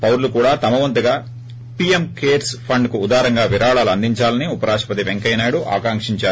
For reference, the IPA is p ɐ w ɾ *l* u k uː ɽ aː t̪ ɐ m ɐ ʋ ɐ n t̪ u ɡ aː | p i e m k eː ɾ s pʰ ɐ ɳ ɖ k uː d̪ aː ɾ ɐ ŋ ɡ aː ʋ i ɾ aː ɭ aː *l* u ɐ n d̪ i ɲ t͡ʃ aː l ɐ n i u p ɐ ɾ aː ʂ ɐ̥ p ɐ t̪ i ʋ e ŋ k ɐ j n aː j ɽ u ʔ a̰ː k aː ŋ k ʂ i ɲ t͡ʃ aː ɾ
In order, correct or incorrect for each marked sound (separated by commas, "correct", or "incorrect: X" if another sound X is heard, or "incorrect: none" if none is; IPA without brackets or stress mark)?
correct, correct